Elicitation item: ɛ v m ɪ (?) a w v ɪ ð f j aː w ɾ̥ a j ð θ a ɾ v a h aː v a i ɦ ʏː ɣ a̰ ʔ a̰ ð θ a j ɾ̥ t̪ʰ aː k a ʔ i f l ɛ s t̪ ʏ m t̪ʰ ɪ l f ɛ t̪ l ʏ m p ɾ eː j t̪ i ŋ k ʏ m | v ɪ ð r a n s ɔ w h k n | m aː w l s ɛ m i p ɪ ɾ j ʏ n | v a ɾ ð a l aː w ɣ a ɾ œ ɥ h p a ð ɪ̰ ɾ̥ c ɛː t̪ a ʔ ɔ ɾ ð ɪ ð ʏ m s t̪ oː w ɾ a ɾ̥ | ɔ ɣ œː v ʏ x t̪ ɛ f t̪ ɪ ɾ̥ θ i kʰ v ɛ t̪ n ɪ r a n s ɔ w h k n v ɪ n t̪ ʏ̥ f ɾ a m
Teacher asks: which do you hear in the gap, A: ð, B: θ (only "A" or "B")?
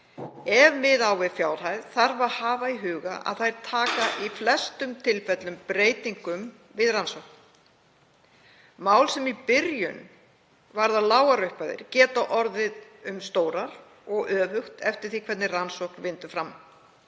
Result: A